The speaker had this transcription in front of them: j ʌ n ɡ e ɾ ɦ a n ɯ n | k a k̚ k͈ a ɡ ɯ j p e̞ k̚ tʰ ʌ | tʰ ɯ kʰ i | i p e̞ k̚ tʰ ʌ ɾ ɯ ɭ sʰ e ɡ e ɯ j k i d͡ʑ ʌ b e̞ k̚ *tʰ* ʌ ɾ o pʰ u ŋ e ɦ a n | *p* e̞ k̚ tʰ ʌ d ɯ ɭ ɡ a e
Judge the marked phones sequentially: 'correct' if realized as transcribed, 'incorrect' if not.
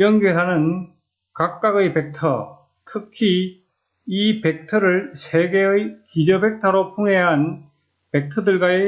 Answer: correct, correct

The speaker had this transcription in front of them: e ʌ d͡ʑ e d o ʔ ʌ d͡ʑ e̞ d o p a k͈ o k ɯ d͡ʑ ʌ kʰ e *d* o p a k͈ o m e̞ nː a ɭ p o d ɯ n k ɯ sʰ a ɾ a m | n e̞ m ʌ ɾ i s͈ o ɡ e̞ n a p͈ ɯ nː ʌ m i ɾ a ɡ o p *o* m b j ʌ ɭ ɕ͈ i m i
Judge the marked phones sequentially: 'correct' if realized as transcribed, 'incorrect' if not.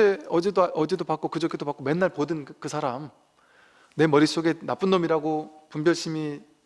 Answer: correct, incorrect

